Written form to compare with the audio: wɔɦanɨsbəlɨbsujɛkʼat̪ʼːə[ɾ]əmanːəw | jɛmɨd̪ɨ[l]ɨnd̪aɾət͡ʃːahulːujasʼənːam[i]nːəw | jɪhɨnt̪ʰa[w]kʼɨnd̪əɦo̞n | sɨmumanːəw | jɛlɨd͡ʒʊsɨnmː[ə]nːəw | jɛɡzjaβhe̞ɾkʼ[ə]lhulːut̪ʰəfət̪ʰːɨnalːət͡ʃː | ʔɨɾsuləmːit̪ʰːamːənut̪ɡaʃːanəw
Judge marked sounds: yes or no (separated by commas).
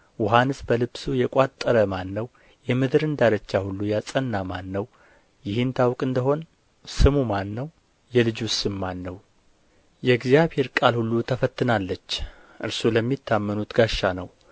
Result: yes, no, no, yes, no, no